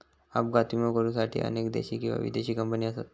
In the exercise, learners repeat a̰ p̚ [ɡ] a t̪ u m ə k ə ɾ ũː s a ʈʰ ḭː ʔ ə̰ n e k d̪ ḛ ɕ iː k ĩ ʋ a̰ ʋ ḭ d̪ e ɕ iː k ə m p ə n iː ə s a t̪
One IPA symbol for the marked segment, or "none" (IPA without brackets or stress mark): ɡ